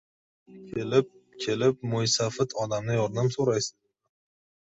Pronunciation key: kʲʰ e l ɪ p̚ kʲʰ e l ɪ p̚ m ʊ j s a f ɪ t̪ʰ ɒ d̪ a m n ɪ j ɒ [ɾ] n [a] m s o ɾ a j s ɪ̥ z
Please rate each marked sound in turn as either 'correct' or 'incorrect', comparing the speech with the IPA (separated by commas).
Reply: correct, correct